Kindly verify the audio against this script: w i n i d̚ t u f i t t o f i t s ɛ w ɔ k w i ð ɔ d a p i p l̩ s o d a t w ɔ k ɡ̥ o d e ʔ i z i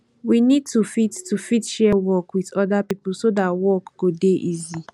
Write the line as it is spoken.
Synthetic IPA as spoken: w i n i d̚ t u f i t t u f i t ʃ ɛ w ɔ k w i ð ɔ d a p i p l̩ s o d a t w ɔ k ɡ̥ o d e ʔ i z i